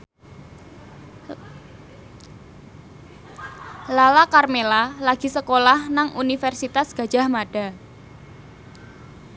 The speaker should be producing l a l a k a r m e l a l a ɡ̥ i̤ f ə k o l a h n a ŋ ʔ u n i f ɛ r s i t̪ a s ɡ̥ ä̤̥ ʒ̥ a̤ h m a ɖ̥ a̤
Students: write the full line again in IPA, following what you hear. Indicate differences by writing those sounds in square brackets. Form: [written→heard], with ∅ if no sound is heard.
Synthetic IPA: l a l a k a r m e l a l a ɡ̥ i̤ [f→s] ə k o l a h n a ŋ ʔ u n i f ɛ r s i t̪ a s ɡ̥ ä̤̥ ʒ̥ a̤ h m a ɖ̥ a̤